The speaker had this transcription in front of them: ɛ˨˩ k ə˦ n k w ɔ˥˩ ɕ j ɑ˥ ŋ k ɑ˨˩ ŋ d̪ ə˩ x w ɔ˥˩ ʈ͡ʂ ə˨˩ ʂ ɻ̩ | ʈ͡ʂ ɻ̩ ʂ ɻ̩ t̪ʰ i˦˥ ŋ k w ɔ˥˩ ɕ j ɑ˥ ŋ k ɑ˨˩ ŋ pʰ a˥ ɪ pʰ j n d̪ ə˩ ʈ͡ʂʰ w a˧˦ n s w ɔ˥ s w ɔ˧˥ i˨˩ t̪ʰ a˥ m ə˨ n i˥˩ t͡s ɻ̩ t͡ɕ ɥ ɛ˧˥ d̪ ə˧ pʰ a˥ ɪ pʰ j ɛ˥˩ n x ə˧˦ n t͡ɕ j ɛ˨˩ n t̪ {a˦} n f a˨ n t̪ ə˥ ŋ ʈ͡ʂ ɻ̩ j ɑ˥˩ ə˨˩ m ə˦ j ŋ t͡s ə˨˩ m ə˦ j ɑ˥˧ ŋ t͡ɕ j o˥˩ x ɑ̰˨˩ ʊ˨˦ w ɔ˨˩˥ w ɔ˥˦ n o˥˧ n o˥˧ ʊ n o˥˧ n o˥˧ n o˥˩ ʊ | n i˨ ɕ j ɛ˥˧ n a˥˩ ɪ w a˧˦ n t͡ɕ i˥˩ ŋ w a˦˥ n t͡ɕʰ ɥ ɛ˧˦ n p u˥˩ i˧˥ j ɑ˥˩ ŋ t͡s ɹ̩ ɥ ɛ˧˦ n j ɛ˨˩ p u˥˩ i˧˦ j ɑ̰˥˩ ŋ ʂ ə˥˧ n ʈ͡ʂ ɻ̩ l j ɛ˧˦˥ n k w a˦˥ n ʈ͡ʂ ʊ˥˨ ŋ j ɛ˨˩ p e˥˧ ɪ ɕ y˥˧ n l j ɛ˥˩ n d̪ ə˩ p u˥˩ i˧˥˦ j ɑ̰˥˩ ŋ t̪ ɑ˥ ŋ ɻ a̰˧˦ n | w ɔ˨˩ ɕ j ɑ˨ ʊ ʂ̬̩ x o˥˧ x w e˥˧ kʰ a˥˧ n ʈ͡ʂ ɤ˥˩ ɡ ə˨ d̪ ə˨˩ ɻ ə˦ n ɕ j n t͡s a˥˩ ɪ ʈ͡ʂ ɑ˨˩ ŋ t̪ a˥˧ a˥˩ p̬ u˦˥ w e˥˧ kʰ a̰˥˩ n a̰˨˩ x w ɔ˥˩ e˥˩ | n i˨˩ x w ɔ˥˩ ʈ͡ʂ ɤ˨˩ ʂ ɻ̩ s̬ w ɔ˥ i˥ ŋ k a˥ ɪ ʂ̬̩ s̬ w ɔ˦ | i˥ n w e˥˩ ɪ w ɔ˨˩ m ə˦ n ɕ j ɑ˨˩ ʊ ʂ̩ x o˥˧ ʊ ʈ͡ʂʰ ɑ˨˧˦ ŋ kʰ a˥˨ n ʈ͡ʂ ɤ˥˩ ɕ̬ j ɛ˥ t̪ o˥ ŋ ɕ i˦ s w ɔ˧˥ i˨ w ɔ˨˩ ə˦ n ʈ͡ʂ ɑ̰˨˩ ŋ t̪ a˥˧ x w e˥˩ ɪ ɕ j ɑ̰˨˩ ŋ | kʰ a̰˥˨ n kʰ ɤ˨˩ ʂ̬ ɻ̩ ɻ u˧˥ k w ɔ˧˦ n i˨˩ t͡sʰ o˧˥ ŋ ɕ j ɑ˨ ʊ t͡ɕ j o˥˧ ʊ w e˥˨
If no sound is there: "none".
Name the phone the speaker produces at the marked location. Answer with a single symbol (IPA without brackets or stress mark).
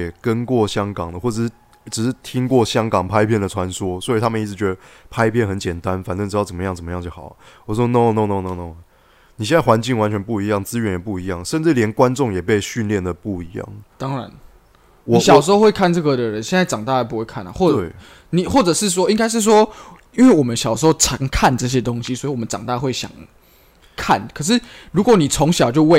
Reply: a˦